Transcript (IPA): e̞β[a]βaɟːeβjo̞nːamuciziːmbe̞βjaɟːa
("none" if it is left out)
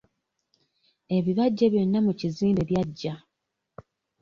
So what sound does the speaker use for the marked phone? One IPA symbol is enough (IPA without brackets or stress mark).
i